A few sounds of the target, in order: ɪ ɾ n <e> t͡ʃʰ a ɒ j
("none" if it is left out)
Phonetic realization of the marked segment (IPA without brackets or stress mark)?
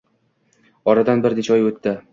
e